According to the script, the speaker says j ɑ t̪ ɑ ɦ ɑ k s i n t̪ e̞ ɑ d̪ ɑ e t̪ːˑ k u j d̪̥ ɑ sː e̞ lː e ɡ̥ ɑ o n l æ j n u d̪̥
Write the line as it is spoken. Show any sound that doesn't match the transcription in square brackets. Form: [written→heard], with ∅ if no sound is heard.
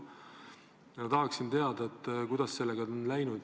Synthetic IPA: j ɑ t̪ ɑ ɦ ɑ k s i n t̪ e̞ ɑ d̪ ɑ e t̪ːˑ k u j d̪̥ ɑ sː e̞ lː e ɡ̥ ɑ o n l æ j n u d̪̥